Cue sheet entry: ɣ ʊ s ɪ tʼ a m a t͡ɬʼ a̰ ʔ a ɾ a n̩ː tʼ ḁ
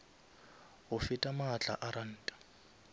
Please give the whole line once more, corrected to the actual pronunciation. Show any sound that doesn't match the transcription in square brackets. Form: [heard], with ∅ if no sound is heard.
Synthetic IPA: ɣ ʊ [f] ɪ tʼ a m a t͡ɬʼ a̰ ʔ a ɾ a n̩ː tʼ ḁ

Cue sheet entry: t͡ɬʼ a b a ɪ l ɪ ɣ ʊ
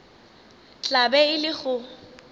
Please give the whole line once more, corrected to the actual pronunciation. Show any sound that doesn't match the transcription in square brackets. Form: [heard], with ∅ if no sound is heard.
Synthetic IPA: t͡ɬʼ a b [ɛ] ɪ l ɪ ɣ ʊ

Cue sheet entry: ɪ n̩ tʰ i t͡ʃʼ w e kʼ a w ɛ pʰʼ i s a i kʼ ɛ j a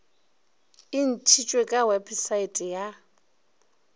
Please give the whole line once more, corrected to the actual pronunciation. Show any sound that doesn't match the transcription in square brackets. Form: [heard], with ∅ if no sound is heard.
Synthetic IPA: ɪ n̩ tʰ i t͡ʃʼ w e kʼ a w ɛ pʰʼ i s a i [tʼ] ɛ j a

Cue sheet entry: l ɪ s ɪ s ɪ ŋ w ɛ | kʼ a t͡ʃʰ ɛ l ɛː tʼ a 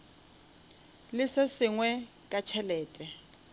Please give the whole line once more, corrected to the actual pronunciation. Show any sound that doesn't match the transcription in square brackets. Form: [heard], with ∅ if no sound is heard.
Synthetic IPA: l ɪ s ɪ s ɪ ŋ w ɛ | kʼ a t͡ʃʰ ɛ l ɛː tʼ [ɛ]

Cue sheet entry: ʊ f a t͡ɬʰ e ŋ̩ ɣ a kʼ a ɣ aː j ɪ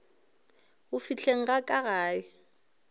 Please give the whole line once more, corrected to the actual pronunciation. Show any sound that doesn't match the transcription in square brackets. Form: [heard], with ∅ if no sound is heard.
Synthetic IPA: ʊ f [i] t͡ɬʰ e ŋ̩ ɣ a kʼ a ɣ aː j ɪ

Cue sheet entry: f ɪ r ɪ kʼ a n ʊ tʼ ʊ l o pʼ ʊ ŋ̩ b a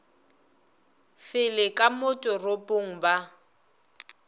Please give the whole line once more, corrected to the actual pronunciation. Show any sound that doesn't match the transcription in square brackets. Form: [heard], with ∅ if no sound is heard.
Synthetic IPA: f ɪ [l] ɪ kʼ a [m] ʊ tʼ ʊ [r] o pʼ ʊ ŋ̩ b a

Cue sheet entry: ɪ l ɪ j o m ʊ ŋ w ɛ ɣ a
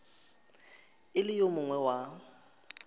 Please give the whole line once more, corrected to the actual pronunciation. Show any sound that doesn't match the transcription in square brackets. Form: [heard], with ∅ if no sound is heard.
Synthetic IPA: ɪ l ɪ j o m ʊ ŋ w ɛ [w] a

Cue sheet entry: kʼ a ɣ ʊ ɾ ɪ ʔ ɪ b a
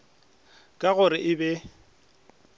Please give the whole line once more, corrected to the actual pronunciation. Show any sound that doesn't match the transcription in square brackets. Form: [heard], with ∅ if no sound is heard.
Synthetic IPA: kʼ a ɣ ʊ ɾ ɪ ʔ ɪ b [ɛ]

